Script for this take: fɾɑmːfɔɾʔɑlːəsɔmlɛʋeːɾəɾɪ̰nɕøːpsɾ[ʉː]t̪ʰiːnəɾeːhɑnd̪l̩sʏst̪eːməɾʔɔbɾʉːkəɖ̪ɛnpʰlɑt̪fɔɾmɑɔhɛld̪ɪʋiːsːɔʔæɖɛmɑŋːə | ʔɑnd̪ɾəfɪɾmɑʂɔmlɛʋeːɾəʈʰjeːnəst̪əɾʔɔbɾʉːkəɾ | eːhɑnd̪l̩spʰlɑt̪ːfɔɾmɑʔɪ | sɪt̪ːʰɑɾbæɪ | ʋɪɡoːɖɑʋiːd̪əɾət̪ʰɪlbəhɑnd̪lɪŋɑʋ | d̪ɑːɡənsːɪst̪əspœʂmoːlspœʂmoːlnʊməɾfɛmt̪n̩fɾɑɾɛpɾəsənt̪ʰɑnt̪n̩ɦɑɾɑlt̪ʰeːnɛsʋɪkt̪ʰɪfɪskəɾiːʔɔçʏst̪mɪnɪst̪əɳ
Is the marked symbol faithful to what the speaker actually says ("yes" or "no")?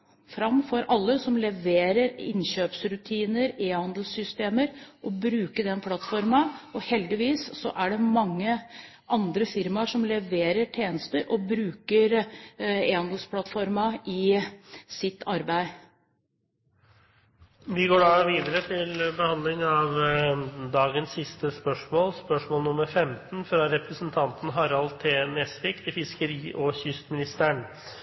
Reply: no